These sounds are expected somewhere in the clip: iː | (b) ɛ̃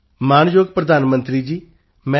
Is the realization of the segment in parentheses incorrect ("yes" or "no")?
yes